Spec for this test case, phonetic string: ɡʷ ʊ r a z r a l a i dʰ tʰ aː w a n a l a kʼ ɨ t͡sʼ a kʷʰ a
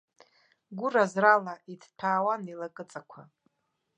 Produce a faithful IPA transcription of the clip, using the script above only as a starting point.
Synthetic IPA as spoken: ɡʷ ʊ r a z r a l a i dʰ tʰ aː w a n i l a kʼ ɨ t͡sʼ a kʷʰ a